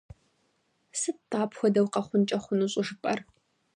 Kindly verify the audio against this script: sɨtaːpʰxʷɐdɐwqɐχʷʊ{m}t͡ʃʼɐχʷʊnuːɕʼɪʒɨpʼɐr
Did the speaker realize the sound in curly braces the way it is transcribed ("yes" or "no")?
no